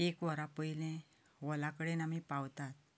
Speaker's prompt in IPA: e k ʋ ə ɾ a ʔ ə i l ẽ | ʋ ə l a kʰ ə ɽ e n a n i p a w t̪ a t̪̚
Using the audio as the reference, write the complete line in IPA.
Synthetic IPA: e k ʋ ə ɾ a p ə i l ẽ | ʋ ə l a k ə ɽ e n a m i p a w t̪ a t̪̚